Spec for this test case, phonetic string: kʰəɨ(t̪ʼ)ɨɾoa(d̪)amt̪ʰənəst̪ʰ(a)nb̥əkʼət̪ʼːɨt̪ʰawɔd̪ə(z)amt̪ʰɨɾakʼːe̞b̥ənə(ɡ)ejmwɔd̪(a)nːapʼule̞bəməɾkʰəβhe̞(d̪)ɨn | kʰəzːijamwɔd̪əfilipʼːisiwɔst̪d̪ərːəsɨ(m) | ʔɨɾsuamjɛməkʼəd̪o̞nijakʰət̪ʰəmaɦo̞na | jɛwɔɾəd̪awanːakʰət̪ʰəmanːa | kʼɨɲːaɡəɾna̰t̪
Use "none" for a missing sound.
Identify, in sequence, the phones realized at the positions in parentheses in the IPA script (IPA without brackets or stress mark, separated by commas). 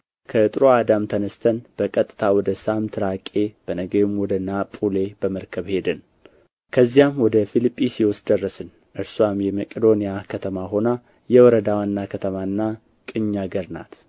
t̪ʼ, d̪, ə, s, ɡ, ə, d̪, n